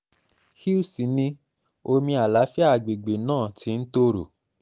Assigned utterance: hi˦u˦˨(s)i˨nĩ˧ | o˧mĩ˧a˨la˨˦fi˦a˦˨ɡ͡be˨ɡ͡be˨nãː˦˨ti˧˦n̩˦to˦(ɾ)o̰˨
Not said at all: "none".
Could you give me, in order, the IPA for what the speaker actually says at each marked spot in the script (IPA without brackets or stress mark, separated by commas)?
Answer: s, ɾ